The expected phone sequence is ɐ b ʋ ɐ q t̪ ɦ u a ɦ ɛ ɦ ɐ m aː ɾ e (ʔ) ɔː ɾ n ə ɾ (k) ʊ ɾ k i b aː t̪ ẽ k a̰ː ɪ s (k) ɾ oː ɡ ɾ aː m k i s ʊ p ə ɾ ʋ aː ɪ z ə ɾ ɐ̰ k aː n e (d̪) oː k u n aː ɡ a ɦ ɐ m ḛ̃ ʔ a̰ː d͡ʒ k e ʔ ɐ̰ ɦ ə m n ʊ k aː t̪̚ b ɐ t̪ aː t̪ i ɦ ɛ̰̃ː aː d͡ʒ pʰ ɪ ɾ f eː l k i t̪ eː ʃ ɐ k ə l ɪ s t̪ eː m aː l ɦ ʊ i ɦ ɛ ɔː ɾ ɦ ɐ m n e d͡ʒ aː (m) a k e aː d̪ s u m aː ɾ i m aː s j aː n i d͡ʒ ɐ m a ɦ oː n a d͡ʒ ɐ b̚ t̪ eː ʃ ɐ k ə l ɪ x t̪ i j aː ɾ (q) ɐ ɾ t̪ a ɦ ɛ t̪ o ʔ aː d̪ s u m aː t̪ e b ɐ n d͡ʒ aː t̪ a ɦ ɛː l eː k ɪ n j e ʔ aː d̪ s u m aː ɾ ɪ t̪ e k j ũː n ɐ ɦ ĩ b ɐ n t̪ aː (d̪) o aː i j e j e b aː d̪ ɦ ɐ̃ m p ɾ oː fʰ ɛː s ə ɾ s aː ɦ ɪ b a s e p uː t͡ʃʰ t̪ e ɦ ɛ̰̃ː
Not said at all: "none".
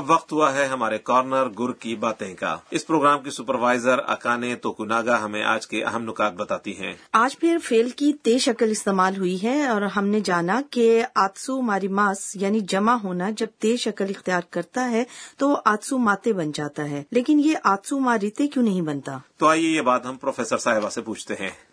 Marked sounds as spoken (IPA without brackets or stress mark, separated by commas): k, ɡ, p, t̪, n, k, t̪